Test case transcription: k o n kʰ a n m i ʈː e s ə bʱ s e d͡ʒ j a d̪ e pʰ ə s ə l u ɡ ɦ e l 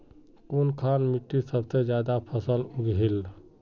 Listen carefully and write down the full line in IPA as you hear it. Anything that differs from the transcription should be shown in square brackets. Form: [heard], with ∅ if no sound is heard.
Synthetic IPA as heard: k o n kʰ a n m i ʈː [i] s ə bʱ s e d͡ʒ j a d̪ [a] pʰ ə s ə l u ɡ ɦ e l